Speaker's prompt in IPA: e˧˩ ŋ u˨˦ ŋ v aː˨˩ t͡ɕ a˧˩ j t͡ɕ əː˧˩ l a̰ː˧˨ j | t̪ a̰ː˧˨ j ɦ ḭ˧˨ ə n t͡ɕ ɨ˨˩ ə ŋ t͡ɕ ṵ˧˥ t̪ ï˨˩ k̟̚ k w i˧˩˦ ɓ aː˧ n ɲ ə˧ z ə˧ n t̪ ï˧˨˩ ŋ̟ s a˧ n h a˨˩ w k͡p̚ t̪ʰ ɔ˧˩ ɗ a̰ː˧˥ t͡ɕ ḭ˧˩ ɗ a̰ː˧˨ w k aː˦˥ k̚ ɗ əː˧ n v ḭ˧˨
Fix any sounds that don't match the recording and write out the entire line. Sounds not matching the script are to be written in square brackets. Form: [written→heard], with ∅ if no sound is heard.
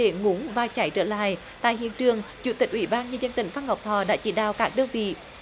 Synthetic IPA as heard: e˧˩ ŋ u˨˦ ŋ v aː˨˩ t͡ɕ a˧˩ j t͡ɕ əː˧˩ l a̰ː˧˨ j | t̪ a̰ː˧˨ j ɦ ḭ˧˨ ə n t͡ɕ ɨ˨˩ ə ŋ t͡ɕ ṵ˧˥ t̪ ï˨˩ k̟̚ [k→ʔ] w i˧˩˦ ɓ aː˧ n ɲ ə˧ z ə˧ n t̪ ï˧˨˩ ŋ̟ [s→f] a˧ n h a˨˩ w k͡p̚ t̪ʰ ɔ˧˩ ɗ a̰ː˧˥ t͡ɕ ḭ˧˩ ɗ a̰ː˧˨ w k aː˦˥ k̚ ɗ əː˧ n v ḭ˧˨